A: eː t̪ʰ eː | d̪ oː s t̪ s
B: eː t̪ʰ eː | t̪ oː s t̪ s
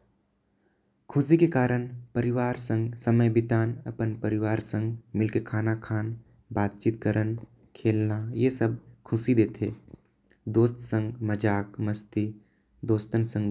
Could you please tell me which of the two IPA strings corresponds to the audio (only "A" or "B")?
A